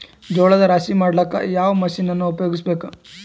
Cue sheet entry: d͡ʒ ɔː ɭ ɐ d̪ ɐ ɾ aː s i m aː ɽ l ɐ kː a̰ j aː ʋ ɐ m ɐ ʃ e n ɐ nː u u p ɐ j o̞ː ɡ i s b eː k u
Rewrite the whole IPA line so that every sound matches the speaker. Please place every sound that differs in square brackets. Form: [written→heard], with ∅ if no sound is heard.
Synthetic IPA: d͡ʒ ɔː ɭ ɐ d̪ ɐ ɾ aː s i m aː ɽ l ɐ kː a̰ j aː ʋ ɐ m ɐ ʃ [e→i] n ɐ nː u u p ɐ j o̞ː ɡ i s b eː k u